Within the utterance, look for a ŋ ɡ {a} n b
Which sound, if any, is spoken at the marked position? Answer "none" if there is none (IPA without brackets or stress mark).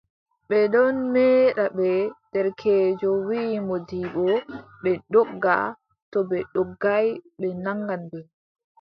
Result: a